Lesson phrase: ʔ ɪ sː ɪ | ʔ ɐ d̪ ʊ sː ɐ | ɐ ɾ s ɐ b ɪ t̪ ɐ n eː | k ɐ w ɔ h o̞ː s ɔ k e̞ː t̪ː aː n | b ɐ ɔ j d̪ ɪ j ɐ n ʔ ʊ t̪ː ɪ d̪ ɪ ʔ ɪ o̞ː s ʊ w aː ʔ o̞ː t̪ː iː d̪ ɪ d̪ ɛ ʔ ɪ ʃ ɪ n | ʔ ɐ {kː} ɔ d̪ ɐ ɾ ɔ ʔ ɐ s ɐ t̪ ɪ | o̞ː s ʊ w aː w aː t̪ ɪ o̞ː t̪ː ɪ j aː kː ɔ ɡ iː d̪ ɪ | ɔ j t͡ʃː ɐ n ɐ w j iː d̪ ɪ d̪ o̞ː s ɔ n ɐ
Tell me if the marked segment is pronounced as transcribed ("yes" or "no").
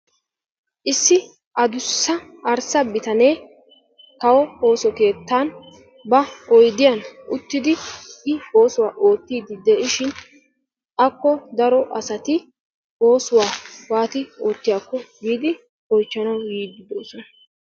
yes